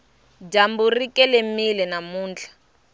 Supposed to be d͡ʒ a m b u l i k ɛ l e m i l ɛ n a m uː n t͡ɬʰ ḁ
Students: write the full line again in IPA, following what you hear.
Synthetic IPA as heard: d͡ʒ a m b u r i k ɛ l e m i l ɛ n a m uː n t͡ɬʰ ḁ